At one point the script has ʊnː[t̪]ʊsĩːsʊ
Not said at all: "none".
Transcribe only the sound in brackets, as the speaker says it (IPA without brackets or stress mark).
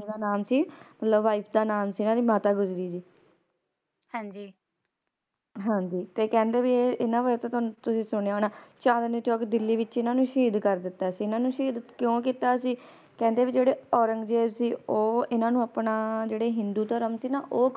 t̪